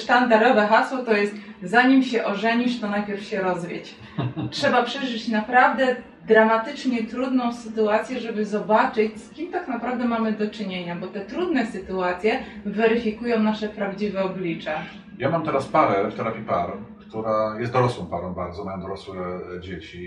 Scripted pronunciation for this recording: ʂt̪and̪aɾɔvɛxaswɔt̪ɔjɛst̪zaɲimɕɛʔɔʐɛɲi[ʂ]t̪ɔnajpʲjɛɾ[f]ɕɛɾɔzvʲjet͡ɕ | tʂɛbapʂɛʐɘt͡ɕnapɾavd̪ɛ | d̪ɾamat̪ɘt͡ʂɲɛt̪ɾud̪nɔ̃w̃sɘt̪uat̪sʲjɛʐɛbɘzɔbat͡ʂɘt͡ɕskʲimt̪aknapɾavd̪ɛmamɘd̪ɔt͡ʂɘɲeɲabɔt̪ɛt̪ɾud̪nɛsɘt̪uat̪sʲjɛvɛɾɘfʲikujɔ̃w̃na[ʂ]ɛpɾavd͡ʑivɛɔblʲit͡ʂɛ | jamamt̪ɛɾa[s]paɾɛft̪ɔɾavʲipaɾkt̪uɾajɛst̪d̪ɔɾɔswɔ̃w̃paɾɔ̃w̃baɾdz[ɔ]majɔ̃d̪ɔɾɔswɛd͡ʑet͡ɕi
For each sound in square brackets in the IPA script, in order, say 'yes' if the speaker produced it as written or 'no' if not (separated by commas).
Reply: yes, yes, yes, yes, yes